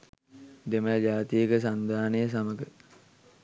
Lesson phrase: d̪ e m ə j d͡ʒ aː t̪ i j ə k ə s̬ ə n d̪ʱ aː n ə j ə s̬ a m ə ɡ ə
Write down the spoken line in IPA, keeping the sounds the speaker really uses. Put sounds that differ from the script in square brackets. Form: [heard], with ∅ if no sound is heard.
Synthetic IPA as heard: d̪ e m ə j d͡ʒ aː t̪ i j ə k ə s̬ [a] n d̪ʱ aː n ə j ə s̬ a m ə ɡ ə